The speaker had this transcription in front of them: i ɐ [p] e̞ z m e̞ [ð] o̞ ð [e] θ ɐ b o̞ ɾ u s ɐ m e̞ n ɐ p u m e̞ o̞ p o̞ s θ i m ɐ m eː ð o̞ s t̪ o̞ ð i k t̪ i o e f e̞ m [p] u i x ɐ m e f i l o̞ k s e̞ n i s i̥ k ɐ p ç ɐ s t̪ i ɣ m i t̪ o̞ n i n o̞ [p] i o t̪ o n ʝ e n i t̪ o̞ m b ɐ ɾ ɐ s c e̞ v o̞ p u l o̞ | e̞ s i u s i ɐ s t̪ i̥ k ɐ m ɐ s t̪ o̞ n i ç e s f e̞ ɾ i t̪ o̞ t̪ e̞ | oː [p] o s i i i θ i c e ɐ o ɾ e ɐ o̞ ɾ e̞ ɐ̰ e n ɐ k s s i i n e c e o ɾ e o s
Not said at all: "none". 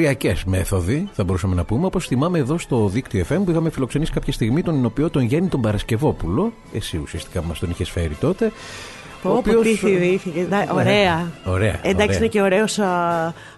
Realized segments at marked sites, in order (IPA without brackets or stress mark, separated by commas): c, θ, i, p, p, p